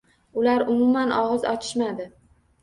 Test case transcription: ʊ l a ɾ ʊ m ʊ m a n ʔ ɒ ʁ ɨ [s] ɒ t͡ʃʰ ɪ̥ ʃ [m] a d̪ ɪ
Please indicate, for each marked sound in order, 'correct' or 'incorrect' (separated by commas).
incorrect, correct